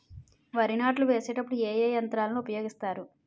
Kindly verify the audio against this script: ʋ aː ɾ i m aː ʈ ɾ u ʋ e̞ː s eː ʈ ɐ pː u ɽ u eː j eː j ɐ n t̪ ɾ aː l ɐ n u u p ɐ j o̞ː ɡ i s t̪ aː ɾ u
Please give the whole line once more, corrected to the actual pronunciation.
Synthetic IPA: ʋ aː ɾ i n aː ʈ l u ʋ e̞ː s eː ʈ ɐ pː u ɽ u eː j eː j ɐ n t̪ ɾ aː l ɐ n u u p ɐ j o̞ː ɡ i s t̪ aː ɾ u